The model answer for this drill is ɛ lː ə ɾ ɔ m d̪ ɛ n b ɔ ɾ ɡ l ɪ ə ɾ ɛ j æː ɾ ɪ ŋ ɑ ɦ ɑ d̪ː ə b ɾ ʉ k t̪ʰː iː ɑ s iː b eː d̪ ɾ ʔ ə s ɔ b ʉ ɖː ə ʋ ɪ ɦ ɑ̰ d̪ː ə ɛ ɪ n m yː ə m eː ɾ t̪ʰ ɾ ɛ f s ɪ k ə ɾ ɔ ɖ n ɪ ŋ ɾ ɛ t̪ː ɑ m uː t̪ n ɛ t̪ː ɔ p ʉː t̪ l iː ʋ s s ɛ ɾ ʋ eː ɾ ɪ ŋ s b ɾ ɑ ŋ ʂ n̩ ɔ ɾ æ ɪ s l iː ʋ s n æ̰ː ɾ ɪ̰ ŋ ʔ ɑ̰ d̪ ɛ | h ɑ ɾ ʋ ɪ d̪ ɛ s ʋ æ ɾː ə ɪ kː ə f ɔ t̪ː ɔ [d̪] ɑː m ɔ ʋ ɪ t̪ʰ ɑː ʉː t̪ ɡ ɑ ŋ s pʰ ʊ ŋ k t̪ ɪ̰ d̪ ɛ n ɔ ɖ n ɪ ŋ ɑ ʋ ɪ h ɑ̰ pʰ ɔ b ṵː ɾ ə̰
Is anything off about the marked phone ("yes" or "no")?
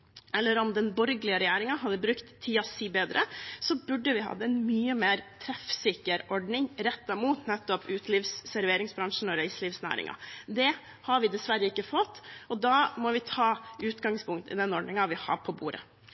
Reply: no